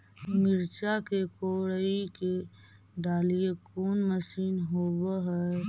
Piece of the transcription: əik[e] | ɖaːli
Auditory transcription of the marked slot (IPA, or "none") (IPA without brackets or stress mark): e